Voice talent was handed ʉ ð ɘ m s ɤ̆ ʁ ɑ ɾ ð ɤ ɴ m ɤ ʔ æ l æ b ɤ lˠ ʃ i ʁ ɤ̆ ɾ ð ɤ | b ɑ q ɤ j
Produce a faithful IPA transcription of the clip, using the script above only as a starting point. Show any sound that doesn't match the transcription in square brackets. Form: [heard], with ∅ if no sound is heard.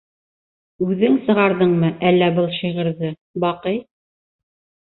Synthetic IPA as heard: ʉ ð ɘ [ŋ] s ɤ̆ ʁ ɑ ɾ ð ɤ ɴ m ɤ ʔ æ [lː] æ b ɤ lˠ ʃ i ʁ ɤ̆ ɾ ð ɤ | b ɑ q ɤ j